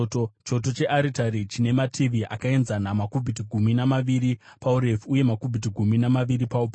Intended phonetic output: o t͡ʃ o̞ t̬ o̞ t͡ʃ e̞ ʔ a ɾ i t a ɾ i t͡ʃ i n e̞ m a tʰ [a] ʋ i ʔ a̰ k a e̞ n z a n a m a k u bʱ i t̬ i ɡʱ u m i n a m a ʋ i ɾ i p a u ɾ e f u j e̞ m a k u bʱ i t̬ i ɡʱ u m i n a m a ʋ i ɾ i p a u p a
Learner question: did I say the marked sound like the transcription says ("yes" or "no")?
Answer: no